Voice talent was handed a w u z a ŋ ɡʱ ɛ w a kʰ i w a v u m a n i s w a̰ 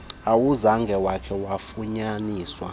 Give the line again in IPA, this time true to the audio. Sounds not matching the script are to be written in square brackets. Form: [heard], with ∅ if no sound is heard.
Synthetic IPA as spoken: a w u z a ŋ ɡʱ ɛ w a kʰ [ɛ] w a [f] u [ɲ] a n [iː] s w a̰